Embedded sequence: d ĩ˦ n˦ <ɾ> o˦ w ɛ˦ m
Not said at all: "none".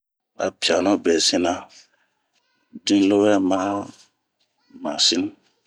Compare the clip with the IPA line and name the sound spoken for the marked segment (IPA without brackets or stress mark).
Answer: l